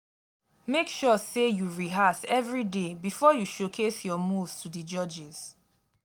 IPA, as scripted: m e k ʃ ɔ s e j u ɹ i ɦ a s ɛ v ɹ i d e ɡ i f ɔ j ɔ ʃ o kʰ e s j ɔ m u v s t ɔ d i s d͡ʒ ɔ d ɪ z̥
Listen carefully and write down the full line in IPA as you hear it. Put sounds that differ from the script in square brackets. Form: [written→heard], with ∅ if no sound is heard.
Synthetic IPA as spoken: m e k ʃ ɔ s e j u ɹ i ɦ a s ɛ v ɹ i d e [ɡ→b] i f ɔ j [ɔ→u] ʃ o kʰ e s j ɔ m u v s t [ɔ→u] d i [s→∅] d͡ʒ ɔ [d→d͡ʒ] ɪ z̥